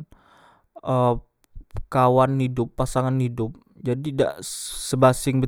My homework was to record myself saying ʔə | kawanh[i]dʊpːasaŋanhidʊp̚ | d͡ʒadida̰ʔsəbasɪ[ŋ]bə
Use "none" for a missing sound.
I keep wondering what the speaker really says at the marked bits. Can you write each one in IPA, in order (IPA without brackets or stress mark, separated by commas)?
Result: i, ŋ